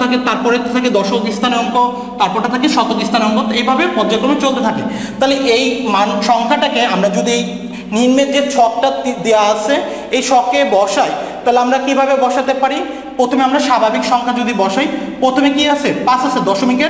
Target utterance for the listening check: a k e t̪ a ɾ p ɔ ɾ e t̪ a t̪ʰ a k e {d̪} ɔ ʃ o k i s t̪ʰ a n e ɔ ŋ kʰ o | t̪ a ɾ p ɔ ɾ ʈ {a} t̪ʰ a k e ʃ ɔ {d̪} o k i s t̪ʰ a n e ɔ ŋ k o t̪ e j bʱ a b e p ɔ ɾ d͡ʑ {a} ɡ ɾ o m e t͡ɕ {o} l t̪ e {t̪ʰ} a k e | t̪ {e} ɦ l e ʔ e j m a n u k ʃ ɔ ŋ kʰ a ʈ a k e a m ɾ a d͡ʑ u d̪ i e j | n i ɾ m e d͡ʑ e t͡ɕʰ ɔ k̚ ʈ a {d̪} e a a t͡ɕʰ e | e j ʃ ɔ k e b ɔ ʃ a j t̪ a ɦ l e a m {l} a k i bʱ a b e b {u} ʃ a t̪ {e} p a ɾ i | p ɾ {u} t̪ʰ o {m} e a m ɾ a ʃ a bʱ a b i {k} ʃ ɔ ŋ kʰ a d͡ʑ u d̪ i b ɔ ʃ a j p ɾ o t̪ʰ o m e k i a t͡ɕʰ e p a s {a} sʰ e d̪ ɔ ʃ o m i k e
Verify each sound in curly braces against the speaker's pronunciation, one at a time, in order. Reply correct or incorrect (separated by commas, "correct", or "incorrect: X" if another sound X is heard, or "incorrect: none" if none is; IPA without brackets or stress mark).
correct, correct, incorrect: t̪, correct, correct, correct, incorrect: a, correct, incorrect: ɾ, incorrect: ɔ, correct, incorrect: o, correct, correct, correct